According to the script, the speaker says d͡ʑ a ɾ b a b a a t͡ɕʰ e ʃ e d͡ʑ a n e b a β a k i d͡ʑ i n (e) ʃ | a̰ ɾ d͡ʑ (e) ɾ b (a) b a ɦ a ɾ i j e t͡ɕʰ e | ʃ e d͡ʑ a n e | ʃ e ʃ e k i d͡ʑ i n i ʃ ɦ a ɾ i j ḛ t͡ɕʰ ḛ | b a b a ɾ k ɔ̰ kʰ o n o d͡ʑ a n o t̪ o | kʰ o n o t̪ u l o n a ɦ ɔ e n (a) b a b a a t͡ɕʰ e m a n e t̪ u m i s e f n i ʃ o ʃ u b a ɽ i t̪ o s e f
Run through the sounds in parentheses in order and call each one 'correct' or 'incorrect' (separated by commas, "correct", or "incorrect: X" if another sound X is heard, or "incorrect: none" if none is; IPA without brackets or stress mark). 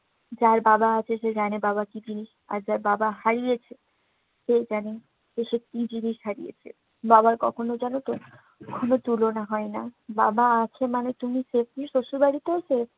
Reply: incorrect: i, incorrect: a, correct, correct